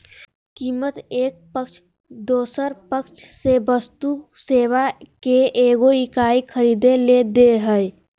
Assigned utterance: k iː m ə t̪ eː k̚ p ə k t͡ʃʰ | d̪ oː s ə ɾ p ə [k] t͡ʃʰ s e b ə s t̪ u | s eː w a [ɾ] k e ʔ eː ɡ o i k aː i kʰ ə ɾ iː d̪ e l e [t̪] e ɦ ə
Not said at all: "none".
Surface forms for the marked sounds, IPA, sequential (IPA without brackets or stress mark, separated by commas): k, none, d̪